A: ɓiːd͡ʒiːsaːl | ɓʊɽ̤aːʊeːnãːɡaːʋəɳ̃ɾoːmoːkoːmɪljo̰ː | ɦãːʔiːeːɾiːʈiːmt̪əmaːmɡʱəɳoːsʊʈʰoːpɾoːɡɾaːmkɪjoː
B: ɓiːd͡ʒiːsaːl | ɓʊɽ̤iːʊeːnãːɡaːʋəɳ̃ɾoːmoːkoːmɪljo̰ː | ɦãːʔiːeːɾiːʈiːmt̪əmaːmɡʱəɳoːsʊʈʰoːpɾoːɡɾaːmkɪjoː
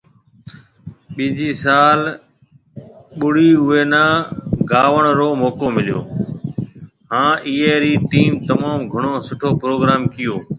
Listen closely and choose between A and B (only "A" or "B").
B